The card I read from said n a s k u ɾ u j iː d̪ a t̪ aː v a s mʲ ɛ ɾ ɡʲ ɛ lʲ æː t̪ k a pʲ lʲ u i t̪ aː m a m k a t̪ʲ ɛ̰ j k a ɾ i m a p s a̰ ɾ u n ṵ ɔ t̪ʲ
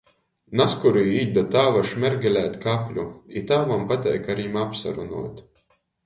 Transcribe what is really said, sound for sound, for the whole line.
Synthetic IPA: n a s k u ɾ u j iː d̪ a t̪ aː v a ʃ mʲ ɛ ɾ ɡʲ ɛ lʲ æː t̪ k a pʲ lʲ u i t̪ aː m a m p a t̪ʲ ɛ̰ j k a ɾ i m a p s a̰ ɾ u n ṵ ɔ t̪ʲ

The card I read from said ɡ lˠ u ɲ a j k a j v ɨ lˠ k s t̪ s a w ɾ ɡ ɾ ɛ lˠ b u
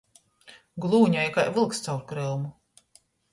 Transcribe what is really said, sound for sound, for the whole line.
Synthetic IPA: ɡ lˠ uː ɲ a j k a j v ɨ lˠ k s t̪ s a w ɾ k ɾ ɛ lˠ m u

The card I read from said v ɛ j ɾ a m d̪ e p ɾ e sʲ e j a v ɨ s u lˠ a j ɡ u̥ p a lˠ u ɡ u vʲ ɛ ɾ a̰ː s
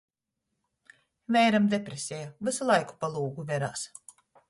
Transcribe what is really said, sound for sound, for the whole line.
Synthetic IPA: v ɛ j ɾ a m d̪ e p ɾ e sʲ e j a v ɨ s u lˠ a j k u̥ p a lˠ uː ɡ u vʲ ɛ ɾ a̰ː s

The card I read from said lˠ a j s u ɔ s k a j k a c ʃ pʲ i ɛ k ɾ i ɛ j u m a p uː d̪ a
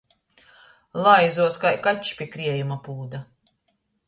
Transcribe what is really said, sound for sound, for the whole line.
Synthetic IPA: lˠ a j z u ɔ s k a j k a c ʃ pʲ i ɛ k ɾ i ɛ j u m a p uː d̪ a

